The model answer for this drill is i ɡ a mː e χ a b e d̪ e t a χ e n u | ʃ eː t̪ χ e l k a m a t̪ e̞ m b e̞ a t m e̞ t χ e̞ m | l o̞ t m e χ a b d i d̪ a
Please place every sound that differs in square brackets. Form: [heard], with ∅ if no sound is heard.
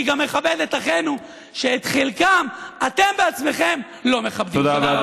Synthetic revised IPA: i ɡ a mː e χ a b e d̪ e t a χ e n u | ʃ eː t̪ χ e l k a m a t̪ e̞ m b e̞ a [t͡s] m e̞ [∅] χ e̞ m | l o̞ [∅] m e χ a b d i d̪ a